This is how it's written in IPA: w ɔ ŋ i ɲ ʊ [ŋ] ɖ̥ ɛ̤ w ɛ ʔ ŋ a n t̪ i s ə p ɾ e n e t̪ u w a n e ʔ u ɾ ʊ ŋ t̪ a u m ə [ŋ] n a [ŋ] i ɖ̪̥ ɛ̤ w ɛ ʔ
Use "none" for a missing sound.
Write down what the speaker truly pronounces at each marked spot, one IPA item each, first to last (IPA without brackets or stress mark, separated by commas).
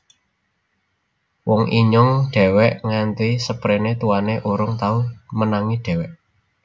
ŋ, none, ŋ